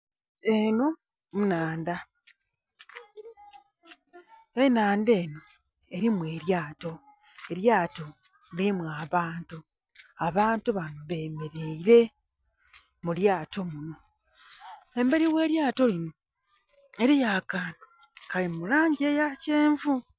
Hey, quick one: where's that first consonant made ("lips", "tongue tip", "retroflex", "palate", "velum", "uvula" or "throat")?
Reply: tongue tip